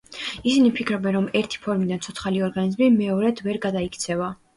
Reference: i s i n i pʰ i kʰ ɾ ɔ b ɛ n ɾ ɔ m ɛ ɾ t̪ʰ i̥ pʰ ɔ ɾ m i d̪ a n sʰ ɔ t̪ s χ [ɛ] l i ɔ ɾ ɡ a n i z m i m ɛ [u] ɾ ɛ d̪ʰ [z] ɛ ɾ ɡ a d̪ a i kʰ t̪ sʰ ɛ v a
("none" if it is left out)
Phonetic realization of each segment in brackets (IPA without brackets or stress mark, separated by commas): a, ɔ, v